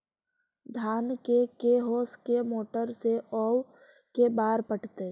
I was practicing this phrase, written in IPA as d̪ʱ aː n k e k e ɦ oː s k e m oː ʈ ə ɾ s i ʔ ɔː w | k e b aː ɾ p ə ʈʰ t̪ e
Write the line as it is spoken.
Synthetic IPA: d̪ʱ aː n k e k e ɦ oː s k e m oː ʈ ə ɾ s e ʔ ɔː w | k e b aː ɾ p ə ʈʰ t̪ e